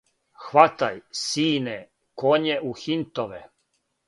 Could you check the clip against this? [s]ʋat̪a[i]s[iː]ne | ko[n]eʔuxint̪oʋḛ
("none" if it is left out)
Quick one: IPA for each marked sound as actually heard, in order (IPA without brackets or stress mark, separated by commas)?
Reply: x, j, iː, ɲ